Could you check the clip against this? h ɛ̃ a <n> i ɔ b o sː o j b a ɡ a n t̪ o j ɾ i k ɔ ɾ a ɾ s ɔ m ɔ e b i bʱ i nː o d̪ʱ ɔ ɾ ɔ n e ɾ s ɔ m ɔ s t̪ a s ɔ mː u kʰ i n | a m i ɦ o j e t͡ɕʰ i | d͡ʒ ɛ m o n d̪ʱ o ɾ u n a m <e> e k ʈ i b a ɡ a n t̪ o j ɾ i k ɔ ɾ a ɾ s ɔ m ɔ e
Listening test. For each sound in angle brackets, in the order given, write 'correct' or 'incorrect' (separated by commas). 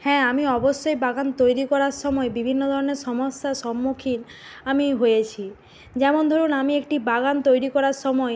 incorrect, incorrect